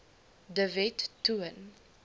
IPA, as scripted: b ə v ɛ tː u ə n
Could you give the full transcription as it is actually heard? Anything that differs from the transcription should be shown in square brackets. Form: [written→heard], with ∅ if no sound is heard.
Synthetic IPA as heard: [b→d] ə v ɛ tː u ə n